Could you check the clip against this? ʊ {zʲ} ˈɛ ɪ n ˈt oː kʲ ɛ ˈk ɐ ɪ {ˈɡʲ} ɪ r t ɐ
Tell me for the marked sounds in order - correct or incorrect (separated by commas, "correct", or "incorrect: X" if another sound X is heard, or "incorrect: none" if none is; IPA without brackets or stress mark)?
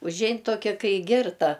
incorrect: ʒʲ, correct